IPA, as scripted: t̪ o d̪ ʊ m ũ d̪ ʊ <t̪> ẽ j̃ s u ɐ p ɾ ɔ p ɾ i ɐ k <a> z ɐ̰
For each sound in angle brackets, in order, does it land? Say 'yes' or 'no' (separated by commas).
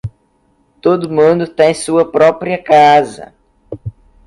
yes, yes